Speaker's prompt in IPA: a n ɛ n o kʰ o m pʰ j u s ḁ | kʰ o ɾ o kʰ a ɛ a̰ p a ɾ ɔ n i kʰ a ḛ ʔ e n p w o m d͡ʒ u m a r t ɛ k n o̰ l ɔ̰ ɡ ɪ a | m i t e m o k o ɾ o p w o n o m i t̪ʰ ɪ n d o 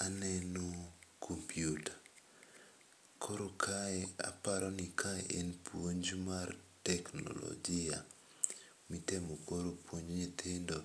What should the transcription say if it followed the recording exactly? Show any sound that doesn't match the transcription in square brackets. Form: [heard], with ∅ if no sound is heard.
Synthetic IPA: a n ɛ n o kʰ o m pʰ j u [t] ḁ | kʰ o ɾ o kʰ a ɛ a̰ p a ɾ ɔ n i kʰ a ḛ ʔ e n p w o [ɲ] d͡ʒ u m a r t ɛ k n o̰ l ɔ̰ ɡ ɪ a | m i t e m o k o ɾ o p w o [ɲ] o [ɲ] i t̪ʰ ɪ n d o

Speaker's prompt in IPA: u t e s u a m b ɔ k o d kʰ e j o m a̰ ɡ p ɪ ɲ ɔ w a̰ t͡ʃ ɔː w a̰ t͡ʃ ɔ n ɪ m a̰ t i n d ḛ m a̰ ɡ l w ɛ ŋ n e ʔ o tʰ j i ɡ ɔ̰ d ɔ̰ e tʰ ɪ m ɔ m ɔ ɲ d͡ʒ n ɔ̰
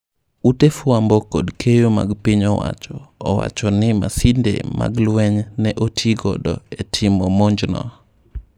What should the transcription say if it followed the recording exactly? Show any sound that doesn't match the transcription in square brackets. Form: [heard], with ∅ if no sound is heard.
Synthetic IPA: u t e [f] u a m b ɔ k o d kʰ e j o m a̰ ɡ p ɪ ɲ ɔ w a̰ t͡ʃ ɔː w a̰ t͡ʃ ɔ n ɪ m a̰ [s] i n d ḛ m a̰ ɡ l w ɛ [ɲ] n [ɛ] ʔ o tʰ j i ɡ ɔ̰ d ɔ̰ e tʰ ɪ m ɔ m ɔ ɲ d͡ʒ n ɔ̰

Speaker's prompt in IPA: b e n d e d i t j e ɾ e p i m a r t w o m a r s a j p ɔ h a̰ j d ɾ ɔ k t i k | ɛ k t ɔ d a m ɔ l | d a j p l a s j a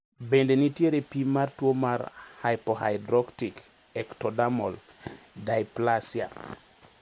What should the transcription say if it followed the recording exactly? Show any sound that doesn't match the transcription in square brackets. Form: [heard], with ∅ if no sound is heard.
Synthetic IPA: b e n d e [n] i t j e ɾ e p i m a r t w o m a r [h] a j p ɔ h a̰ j d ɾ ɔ k t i k | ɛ k t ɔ d a m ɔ l | d a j p l a s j a

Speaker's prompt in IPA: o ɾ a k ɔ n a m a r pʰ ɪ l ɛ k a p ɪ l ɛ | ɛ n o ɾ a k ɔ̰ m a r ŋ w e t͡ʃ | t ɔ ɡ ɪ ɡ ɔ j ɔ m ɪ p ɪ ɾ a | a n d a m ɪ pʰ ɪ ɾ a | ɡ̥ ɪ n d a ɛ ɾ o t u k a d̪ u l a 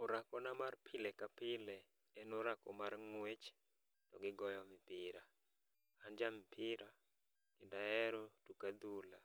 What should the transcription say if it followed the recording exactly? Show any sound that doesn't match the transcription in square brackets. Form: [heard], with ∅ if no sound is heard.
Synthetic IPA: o ɾ a k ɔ n a m a r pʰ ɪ l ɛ k a p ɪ l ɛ | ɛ n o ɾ a k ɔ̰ m a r ŋ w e t͡ʃ | t ɔ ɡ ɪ ɡ ɔ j ɔ m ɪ p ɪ ɾ a | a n [d͡ʒ] a m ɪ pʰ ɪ ɾ a | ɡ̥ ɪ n d a ɛ ɾ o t u k a d̪ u l a

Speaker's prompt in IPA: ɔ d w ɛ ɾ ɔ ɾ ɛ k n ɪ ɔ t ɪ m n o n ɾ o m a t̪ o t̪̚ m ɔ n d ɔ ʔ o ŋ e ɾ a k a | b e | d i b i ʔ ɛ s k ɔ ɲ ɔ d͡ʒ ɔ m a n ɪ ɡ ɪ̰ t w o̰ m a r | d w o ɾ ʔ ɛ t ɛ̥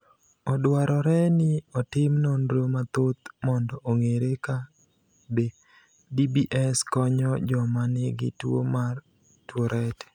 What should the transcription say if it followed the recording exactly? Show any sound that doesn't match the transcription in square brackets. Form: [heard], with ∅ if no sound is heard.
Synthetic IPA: ɔ d w [a] ɾ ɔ ɾ ɛ [∅] n ɪ ɔ t ɪ m n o n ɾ o m a t̪ o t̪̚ m ɔ n d ɔ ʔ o ŋ e ɾ [e] k a | b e | d i b i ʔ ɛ s k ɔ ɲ ɔ d͡ʒ ɔ m a n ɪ ɡ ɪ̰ t w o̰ m a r | [t] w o ɾ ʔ ɛ t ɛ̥

